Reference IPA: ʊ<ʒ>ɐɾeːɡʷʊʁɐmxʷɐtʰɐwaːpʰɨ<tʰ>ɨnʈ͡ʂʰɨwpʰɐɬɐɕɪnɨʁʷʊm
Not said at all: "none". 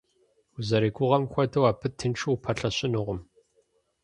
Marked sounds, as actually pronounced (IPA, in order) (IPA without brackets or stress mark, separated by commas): z, tʰ